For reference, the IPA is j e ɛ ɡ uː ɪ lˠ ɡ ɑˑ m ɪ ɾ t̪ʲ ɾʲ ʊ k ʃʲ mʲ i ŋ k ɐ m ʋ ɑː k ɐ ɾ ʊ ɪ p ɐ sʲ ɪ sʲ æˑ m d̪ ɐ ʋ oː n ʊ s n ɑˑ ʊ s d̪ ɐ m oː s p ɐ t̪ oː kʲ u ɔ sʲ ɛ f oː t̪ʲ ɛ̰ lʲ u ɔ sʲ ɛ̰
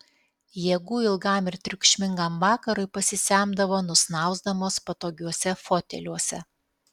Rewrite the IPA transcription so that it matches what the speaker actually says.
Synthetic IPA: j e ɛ ɡ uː ɪ lˠ ɡ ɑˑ m ɪ ɾ t̪ʲ ɾʲ ʊ k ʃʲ mʲ ɪ ŋ ɡ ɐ m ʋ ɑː k ɐ ɾ ʊ ɪ p ɐ sʲ ɪ sʲ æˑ m d̪ ɐ ʋ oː n ʊ s n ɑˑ ʊ z d̪ ɐ m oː s p ɐ t̪ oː ɡʲ u ɔ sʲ ɛ f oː t̪ʲ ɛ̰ lʲ u ɔ sʲ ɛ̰